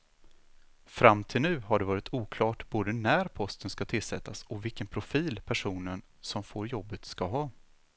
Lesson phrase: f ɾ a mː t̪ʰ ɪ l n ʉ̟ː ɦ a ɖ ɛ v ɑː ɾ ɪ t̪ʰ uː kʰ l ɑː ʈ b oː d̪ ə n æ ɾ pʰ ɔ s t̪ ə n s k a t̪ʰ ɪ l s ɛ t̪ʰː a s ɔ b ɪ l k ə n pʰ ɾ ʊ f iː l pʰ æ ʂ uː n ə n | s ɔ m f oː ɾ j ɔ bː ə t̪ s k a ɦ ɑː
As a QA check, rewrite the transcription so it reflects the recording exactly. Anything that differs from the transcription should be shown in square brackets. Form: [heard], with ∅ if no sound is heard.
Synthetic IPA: f ɾ a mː t̪ʰ ɪ l n ʉ̟ː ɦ a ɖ ɛ v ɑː ɾ ɪ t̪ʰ uː kʰ l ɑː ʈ b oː d̪ ə n æ ɾ pʰ ɔ s t̪ ə n s k a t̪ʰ ɪ l s ɛ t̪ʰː a s ɔ [v] ɪ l k ə n pʰ ɾ ʊ f iː l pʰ æ ʂ uː n ə n | s ɔ m f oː ɾ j ɔ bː ə t̪ s k a ɦ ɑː